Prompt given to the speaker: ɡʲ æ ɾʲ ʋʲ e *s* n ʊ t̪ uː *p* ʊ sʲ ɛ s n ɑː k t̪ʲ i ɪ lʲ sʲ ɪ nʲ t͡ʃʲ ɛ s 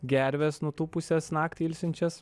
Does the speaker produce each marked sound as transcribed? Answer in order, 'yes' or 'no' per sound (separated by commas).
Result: yes, yes